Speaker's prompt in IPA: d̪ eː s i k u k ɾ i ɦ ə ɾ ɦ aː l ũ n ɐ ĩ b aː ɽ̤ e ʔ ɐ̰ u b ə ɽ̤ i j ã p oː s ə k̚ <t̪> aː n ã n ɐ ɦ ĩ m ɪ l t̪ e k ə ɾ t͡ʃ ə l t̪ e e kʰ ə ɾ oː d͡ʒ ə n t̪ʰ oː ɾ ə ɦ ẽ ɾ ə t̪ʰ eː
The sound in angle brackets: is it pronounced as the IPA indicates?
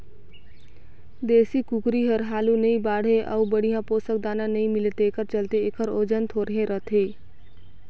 no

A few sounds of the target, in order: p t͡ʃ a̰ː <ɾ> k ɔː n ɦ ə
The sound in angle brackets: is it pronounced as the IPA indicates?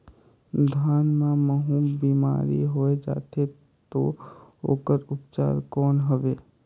yes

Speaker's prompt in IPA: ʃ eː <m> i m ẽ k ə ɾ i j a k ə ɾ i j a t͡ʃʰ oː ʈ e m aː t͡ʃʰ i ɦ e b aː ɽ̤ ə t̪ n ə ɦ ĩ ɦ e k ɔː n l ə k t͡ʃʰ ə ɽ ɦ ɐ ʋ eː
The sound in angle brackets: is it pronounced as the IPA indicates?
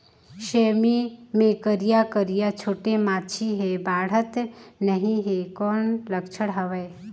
yes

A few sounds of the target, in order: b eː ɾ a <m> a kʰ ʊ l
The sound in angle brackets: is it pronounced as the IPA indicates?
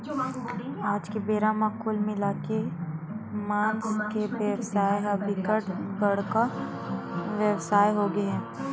yes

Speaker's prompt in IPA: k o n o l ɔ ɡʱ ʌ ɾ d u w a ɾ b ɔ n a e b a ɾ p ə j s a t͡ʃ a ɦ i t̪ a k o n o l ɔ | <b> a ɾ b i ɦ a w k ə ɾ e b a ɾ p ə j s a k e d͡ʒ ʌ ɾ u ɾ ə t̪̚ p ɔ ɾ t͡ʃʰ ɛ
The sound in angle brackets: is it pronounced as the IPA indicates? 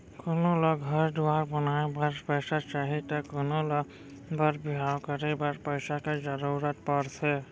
yes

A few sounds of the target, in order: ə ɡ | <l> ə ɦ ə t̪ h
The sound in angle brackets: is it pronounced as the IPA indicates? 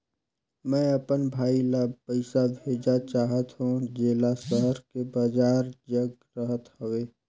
no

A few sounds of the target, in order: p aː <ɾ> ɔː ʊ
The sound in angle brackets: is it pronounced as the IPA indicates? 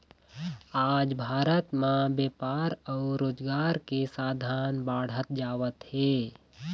yes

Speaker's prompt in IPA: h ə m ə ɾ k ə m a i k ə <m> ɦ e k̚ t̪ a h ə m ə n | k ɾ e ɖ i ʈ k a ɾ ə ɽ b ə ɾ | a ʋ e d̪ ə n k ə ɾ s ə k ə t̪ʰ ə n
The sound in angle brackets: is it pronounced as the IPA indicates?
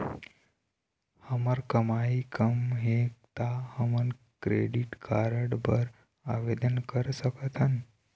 yes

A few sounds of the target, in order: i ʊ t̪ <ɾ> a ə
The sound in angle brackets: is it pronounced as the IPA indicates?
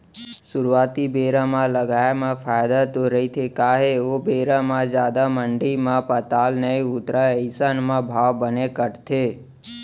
yes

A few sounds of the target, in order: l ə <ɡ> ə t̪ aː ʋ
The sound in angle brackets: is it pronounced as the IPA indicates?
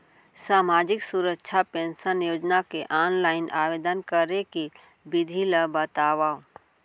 no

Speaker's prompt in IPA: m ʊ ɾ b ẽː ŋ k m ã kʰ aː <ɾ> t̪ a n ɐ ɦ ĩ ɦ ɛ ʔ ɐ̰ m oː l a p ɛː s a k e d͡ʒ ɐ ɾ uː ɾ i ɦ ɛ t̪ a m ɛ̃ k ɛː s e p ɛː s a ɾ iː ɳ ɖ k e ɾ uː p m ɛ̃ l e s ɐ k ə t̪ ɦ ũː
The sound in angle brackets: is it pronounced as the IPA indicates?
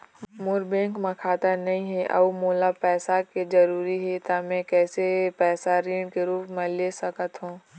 no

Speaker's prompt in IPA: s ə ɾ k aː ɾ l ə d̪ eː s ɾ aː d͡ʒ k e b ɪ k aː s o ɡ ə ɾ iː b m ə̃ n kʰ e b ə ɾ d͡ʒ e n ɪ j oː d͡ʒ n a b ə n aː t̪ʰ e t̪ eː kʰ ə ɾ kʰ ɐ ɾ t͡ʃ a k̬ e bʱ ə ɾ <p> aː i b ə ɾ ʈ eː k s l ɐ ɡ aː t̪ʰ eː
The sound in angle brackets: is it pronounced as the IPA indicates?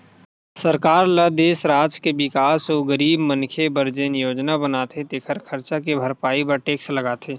yes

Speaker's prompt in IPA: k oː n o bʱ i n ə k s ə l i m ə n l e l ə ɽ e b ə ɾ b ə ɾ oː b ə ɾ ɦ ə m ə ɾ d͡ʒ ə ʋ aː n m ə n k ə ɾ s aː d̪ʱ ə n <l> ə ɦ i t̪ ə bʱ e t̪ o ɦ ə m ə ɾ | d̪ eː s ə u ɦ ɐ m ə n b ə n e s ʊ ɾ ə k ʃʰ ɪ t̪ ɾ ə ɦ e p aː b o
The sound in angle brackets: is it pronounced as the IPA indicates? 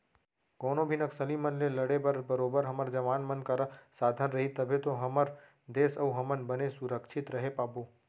no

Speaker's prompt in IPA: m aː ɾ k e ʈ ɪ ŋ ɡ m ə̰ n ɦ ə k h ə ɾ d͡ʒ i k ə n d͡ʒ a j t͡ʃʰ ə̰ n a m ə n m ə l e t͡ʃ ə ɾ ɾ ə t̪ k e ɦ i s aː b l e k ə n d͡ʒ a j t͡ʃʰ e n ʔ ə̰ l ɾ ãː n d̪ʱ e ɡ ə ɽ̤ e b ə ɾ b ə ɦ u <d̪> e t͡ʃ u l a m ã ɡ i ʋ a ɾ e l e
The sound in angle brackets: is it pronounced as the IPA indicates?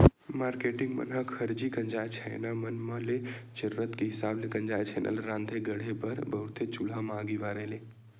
no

